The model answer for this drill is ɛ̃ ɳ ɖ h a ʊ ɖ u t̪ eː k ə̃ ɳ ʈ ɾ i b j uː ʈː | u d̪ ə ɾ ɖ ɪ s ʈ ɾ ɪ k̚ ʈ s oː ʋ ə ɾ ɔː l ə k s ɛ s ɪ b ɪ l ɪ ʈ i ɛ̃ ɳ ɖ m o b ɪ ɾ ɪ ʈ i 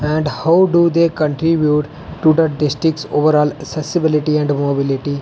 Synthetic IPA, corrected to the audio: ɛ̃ ɳ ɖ h a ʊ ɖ u d̪ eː k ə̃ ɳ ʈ ɾ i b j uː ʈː | u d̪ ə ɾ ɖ ɪ s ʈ ɾ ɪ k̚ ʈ s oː ʋ ə ɾ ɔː l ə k s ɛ s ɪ b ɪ l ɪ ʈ i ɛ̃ ɳ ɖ m o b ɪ l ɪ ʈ i